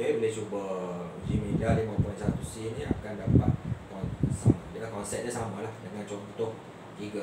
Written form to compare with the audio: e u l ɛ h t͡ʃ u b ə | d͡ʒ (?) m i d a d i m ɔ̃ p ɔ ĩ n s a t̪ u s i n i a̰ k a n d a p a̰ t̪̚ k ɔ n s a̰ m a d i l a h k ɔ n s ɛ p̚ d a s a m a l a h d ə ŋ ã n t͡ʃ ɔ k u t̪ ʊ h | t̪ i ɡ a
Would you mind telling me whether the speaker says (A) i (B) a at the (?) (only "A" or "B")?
A